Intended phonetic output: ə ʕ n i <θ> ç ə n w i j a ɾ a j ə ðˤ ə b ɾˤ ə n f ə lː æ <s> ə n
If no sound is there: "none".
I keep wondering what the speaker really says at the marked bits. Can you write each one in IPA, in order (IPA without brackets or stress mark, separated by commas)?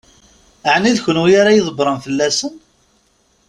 ð, s